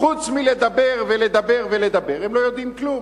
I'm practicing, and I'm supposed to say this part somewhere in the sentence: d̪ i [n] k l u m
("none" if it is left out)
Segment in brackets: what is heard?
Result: m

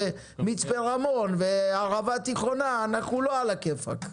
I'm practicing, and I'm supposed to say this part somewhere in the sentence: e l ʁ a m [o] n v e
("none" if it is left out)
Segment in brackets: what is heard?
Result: o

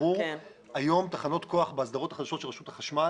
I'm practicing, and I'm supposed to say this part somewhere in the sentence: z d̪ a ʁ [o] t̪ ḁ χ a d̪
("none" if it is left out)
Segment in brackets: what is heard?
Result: o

